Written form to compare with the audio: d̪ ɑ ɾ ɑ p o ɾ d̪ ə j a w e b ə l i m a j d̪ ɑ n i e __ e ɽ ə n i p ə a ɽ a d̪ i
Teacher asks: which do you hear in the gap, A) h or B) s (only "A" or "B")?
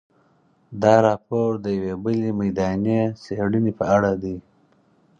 B